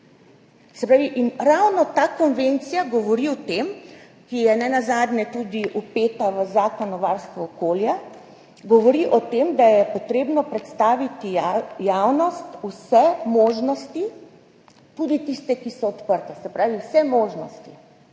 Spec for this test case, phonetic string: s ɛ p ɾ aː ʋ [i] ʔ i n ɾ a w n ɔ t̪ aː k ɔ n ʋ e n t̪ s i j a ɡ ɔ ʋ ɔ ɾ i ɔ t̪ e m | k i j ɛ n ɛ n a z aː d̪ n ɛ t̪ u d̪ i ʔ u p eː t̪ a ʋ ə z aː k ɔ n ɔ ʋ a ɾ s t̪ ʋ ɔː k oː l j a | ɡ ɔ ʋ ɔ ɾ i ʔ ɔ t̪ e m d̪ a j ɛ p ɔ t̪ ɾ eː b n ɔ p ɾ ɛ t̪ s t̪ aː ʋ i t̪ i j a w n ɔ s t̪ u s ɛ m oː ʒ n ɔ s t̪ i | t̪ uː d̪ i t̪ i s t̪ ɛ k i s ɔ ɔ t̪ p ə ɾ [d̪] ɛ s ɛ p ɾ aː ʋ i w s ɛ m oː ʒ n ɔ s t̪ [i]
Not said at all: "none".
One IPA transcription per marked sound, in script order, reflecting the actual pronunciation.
i, t̪, i

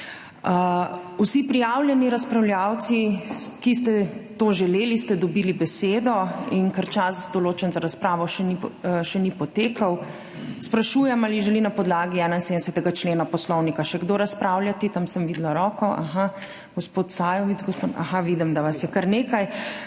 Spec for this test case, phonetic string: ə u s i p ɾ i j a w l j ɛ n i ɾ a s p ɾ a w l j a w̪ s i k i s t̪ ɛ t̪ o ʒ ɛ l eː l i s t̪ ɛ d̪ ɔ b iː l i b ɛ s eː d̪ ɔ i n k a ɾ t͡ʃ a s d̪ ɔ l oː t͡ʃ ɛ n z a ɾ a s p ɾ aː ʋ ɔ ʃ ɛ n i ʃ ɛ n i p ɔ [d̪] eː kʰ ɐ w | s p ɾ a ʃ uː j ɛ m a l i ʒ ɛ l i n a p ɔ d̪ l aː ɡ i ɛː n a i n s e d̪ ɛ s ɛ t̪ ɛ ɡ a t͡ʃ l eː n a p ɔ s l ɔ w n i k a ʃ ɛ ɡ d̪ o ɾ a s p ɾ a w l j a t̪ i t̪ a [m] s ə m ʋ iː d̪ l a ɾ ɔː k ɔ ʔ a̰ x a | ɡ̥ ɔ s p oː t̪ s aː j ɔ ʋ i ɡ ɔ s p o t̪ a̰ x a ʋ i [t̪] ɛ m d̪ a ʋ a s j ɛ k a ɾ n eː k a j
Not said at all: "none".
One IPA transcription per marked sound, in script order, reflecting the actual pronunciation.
t̪, m, d̪

